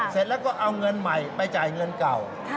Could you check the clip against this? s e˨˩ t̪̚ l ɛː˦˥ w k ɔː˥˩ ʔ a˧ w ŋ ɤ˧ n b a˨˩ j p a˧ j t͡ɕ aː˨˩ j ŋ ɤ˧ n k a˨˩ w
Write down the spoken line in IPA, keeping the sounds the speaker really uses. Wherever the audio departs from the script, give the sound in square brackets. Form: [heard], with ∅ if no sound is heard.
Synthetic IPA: s e˨˩ t̪̚ l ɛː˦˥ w k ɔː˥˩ ʔ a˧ w ŋ ɤ˧ n [m] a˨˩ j p a˧ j t͡ɕ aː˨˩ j ŋ ɤ˧ n k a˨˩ w